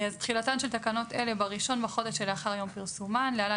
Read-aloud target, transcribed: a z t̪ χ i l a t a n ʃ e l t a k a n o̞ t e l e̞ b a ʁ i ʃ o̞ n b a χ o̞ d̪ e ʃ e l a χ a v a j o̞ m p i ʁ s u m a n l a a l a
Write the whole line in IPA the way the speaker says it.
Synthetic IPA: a z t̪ χ i l a t a n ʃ e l t a k a n o̞ t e l e̞ b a ʁ i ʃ o̞ n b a χ o̞ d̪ e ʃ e l a χ a ʁ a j o̞ m p i ʁ s u m a n l e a l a